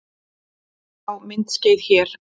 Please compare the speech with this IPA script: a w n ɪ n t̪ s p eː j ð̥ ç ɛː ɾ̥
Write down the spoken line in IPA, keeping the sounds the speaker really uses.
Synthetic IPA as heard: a w m ɪ n t̪ s c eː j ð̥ ç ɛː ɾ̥